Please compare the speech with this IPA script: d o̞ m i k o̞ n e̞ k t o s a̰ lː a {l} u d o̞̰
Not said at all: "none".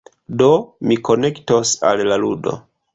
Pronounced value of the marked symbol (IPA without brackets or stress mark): l